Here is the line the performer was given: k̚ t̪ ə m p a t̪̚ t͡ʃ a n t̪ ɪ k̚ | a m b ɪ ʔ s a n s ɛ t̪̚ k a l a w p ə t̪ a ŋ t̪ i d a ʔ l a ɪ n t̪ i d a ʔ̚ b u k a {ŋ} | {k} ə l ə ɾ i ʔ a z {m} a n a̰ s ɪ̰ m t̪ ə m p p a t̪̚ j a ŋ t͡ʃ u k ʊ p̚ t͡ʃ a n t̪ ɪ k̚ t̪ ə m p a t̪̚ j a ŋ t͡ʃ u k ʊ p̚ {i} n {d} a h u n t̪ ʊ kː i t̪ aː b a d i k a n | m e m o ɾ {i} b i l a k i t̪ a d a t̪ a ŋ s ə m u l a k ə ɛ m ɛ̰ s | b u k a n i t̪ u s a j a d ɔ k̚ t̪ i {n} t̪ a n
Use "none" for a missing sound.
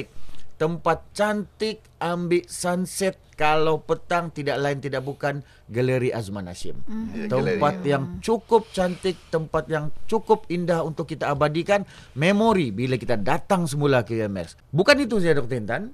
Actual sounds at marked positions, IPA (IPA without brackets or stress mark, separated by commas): n, ɡ, m, i, d, i, n